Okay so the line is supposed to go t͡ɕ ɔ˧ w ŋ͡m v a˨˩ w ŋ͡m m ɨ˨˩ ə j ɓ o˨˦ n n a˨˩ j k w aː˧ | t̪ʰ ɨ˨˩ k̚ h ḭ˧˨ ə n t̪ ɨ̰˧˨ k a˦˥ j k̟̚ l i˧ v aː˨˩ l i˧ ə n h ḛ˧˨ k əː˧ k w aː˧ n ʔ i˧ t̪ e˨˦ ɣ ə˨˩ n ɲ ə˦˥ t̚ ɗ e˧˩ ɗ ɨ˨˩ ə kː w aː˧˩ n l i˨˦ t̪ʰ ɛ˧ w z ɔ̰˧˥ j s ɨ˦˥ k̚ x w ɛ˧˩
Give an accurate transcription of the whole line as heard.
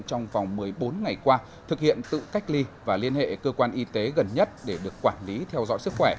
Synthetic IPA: t͡ɕ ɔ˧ w ŋ͡m v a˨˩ w ŋ͡m m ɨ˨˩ ə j ɓ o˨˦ n ŋ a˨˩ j k w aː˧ | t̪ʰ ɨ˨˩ k̚ h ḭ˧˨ ə n t̪ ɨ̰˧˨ k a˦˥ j k̟̚ l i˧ v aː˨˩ l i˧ ə n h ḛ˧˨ k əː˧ k w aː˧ n ʔ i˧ t̪ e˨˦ ɣ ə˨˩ n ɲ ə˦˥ t̚ ɗ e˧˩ ɗ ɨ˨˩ ə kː w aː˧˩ n l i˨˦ t̪ʰ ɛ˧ w z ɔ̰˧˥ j s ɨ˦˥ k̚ x w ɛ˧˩